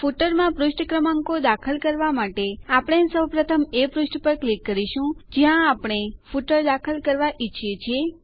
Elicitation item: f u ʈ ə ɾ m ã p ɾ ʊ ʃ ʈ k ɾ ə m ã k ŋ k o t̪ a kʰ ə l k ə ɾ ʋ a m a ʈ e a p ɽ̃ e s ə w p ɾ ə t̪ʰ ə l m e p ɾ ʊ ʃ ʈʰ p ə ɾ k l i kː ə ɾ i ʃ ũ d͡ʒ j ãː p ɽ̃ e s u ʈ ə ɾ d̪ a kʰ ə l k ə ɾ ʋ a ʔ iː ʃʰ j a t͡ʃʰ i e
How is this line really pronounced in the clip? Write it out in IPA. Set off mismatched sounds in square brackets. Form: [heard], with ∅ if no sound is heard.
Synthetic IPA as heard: f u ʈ ə ɾ m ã p ɾ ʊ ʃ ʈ k ɾ ə m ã [∅] ŋ k o [d̪] a kʰ ə l k ə ɾ ʋ a m a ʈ e a p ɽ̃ e s ə w p ɾ ə t̪ʰ ə [∅] m e p ɾ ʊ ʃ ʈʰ p ə ɾ k l i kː ə ɾ i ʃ ũ d͡ʒ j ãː p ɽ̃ e [f] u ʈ ə ɾ d̪ a kʰ ə l k ə ɾ ʋ a ʔ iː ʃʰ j [e] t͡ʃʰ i e

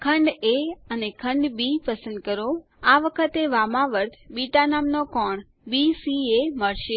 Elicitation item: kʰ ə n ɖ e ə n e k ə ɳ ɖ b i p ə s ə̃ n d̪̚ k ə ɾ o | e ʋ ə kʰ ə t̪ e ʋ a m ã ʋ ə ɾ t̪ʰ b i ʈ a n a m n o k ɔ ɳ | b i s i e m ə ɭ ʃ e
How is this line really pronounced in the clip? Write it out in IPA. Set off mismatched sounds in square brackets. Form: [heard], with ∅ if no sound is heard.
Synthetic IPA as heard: kʰ ə [ɳ] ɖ e ə n e [kʰ] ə ɳ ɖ b i p ə s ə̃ n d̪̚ k ə ɾ o | [a] ʋ ə kʰ ə t̪ e ʋ a m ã ʋ ə ɾ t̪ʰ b i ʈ a n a m n o k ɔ ɳ | b i s i e m ə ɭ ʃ e

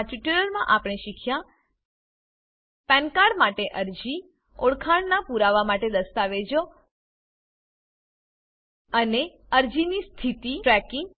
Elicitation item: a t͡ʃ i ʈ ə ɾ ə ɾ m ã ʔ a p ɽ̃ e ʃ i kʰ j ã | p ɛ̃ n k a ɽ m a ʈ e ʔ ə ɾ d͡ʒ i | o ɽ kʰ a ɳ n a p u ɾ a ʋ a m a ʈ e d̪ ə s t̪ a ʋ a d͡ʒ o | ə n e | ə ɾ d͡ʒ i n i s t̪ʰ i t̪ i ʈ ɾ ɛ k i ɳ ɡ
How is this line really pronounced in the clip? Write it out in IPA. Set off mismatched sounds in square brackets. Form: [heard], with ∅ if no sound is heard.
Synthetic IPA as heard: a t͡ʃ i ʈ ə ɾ ə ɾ m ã ʔ a p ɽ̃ e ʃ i kʰ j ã | p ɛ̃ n k a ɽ m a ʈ e ʔ ə ɾ d͡ʒ i | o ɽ kʰ a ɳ n a p u ɾ a ʋ a m a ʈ e d̪ ə s t̪ a ʋ [e] d͡ʒ o | ə n e | ə ɾ d͡ʒ i n i s t̪ʰ i t̪ i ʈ ɾ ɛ k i [ŋ] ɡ

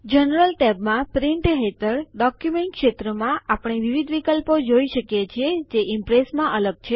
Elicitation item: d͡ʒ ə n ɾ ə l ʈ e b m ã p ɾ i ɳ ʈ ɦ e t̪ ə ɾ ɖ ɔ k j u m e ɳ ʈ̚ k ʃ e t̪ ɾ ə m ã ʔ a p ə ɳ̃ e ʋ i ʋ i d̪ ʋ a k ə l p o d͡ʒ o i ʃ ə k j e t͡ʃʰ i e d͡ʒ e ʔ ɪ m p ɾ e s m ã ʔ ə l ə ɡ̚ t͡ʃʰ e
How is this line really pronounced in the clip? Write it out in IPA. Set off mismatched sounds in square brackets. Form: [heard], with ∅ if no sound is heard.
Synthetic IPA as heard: d͡ʒ ə n ɾ ə l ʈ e b m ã p ɾ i ɳ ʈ ɦ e t̪ ə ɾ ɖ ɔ k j u m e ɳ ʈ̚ k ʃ e t̪ ɾ ə m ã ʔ a p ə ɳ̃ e ʋ i ʋ i d̪ ʋ [i] k ə l p o d͡ʒ o i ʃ ə k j e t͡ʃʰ i e d͡ʒ e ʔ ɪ m p ɾ e s m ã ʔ ə l ə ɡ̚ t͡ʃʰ e

